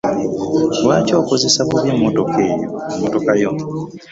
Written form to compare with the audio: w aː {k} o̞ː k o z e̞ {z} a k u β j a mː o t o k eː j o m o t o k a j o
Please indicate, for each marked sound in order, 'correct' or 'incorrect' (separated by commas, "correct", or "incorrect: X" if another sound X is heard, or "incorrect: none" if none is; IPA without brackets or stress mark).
incorrect: c, incorrect: s